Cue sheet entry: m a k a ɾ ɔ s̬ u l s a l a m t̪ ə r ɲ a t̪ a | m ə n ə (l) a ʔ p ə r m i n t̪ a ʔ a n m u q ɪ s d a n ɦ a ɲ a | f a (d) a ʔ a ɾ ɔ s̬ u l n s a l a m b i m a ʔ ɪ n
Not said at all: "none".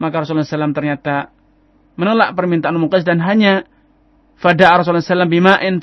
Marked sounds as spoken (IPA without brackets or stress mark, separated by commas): l, d